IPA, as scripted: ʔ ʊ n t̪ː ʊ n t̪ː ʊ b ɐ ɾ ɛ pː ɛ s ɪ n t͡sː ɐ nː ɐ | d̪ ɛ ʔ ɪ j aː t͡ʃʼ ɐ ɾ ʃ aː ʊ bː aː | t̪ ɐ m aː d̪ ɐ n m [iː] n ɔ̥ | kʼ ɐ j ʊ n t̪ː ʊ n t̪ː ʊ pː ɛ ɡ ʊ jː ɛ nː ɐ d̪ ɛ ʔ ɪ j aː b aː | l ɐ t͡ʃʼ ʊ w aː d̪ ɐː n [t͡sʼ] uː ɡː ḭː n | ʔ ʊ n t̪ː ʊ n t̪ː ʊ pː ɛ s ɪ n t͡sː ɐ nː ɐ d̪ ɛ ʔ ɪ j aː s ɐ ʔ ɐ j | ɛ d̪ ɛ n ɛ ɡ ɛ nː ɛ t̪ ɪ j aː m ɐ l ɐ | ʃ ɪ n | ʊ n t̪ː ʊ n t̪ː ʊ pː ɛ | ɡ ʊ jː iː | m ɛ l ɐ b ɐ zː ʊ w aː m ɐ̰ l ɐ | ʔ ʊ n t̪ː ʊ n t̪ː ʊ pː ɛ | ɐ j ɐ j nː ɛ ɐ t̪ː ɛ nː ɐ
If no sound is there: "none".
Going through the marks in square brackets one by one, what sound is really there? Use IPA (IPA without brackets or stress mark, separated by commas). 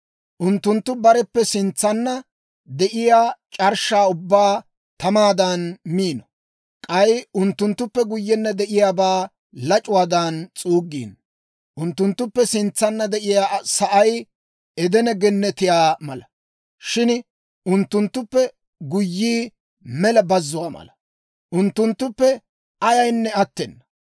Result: iː, t͡sʼ